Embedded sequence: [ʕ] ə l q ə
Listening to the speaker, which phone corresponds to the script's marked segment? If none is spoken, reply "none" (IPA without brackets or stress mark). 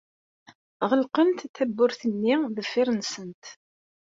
ʁ